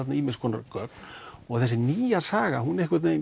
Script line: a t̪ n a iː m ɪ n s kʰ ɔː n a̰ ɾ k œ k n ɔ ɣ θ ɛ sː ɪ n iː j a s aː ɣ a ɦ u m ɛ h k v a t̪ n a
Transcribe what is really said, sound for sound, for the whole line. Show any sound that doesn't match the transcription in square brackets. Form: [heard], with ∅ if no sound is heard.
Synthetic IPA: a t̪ n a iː m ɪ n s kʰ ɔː n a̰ ɾ k œ k n ɔ ɣ θ ɛ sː ɪ n iː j a s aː ɣ a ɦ u [n] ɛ h k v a t̪ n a

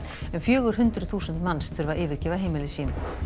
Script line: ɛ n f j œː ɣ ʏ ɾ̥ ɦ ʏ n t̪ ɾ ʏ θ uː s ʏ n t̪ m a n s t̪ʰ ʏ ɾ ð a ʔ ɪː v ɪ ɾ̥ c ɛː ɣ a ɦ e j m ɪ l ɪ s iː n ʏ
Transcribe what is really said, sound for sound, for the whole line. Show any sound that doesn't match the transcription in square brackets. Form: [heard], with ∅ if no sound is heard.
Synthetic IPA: ɛ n f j œː ɣ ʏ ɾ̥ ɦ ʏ n t̪ ɾ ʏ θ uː s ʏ n t̪ m a n s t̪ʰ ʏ ɾ [v] a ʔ ɪː v ɪ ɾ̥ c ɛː [v] a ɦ e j m ɪ l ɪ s iː n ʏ

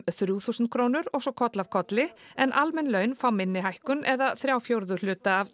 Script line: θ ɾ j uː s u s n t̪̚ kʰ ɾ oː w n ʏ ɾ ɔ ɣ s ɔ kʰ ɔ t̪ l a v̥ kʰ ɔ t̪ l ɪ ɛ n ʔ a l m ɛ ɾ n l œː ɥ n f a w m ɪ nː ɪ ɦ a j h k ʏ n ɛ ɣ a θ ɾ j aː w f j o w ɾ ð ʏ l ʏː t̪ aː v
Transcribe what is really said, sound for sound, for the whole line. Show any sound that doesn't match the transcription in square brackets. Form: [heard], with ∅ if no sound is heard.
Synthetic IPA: θ ɾ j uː [θ] u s n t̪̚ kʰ ɾ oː w n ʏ ɾ ɔ ɣ s ɔ kʰ ɔ t̪ l a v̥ kʰ ɔ t̪ l ɪ ɛ n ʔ a l m ɛ [∅] n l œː ɥ n f a w m ɪ nː ɪ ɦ a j h k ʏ n ɛ [ð] a θ ɾ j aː w f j o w ɾ ð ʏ l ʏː t̪ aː v

